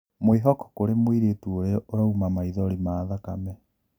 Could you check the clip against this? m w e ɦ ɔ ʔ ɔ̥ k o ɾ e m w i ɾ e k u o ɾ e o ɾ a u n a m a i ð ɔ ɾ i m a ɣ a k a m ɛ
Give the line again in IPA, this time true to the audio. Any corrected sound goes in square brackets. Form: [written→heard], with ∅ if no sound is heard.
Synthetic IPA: m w e ɦ ɔ [ʔ→k] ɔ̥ k o ɾ e m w i ɾ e [k→t] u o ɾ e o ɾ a u [n→m] a m a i ð ɔ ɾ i m a [ɣ→ð] a k a m ɛ